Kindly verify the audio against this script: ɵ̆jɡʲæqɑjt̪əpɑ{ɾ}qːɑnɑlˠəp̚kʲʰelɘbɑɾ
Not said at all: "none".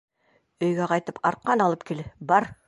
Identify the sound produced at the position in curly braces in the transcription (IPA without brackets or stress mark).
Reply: ɾ